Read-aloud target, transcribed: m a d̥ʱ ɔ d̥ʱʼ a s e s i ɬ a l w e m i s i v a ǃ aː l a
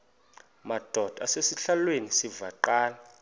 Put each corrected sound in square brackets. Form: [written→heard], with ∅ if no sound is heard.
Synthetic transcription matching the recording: m a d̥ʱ ɔ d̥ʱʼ a s e s i ɬ a l w e [m→n] i s i v a ǃ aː l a